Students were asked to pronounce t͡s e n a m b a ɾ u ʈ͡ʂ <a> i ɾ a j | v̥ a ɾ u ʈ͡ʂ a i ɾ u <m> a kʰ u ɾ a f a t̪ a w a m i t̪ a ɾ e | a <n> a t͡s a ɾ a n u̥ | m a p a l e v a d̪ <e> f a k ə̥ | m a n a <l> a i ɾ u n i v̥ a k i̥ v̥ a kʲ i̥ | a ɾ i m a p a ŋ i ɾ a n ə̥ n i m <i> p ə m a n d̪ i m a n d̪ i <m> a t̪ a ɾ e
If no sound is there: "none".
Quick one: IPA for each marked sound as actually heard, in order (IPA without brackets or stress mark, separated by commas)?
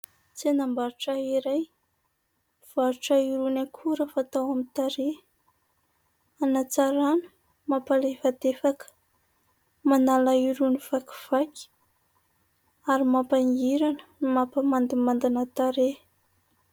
a, n, n, e, l, a, n